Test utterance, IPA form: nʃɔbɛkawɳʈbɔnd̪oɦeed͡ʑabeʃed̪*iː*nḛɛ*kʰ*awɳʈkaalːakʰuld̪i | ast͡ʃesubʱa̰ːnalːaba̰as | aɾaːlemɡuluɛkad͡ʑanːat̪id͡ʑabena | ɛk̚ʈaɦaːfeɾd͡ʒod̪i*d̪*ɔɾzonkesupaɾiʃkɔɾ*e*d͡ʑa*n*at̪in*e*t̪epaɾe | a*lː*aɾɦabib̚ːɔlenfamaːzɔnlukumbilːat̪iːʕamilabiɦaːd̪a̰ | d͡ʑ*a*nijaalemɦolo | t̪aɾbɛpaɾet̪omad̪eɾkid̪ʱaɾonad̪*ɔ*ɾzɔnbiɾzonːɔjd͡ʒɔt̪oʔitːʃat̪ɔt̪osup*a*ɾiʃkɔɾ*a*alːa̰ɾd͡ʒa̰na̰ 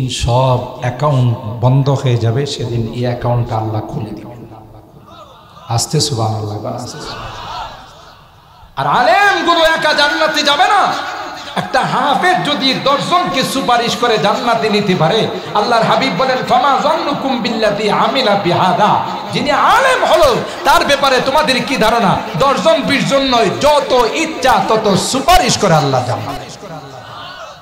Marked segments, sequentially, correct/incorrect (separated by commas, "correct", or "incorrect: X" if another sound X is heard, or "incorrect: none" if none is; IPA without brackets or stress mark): incorrect: i, incorrect: k, correct, correct, incorrect: nː, incorrect: i, correct, incorrect: i, correct, correct, incorrect: e